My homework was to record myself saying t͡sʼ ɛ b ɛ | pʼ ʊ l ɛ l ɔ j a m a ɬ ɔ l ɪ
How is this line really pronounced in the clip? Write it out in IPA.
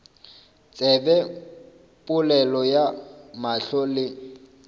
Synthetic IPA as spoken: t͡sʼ ɛ b ɛ | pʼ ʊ l ɛ l ɔ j a m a ɬ ɔ l ɪ